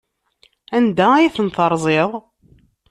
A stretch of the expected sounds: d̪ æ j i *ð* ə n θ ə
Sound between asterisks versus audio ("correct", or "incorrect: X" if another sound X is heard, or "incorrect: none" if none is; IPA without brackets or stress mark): incorrect: θ